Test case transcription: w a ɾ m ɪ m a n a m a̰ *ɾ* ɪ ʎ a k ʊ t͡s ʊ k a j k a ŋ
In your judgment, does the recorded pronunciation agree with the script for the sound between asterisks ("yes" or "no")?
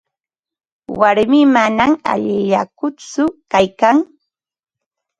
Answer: no